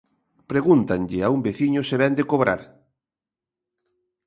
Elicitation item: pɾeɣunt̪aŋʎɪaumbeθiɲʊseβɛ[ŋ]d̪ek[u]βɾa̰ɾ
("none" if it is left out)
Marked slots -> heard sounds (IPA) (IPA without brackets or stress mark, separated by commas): n, o